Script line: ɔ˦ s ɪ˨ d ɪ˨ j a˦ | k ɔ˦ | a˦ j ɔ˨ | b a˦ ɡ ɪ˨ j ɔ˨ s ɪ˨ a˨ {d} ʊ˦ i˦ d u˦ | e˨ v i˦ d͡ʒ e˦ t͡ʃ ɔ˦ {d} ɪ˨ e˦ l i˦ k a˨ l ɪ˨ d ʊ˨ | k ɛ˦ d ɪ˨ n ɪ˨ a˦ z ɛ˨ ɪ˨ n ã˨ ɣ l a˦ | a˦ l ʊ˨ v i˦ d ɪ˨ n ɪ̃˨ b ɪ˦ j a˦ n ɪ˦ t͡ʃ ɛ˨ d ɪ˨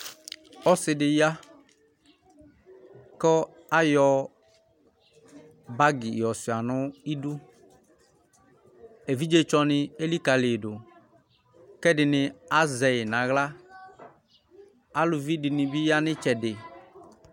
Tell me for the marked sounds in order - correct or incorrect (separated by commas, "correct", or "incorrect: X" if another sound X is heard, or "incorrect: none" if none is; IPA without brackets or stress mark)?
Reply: incorrect: n, incorrect: n